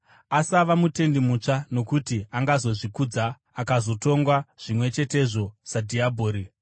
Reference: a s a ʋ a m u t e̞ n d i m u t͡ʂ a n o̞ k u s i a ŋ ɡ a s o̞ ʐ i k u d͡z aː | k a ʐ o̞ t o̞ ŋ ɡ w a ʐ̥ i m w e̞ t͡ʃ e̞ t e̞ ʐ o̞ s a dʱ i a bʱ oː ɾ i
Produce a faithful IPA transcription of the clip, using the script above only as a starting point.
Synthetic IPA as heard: a s a ʋ a m u t e̞ n d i m u t͡ʂ a n o̞ k u t i a ŋ ɡ a z o̞ ʐ i k u d͡z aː | k a z o̞ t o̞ ŋ ɡ w a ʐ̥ i m w e̞ t͡ʃ e̞ t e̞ ʐ o̞ s a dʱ i a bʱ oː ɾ i